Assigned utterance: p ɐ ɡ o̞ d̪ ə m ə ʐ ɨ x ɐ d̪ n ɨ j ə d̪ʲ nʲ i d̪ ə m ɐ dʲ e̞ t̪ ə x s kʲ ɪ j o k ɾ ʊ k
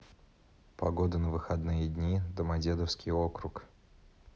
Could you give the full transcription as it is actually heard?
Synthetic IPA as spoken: p ɐ ɡ o̞ d̪ ə n ə v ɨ x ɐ d̪ n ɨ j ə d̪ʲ nʲ i d̪ ə m ɐ dʲ e̞ d̪ ə f s kʲ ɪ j o k ɾ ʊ k